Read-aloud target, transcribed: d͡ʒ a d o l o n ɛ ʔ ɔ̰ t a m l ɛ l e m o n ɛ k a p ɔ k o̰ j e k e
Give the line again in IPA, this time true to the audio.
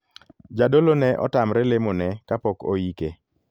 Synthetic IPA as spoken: d͡ʒ a d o l o n ɛ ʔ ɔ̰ t a m ɾ ɛ l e m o n ɛ k a p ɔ k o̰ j i k e